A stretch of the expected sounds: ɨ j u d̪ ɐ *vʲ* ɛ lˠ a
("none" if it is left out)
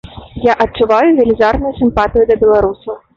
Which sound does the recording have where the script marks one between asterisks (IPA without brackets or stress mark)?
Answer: bʲ